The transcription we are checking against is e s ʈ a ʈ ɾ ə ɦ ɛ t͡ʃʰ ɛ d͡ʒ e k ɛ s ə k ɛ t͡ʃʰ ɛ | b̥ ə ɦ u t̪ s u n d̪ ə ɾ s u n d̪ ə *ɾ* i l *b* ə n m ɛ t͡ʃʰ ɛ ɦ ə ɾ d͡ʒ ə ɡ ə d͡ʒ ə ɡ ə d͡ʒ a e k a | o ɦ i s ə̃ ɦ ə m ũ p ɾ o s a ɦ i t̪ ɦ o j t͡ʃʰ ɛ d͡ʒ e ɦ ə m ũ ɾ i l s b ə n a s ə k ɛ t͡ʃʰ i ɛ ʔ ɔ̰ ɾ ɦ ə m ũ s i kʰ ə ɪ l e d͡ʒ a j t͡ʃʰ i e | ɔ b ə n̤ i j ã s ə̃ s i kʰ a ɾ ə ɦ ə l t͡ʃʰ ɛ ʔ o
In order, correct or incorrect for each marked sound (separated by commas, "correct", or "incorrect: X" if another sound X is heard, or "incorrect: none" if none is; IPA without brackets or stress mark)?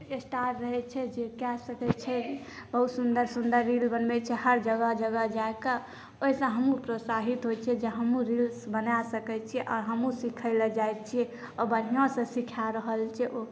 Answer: incorrect: ɾː, correct